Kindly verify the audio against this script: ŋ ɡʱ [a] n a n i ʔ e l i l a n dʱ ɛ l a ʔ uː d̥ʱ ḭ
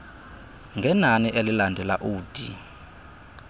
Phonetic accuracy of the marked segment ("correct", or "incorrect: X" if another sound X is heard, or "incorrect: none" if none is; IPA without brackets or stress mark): incorrect: ɛ